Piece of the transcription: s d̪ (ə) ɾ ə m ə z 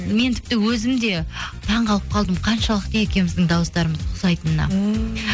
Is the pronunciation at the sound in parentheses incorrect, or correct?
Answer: incorrect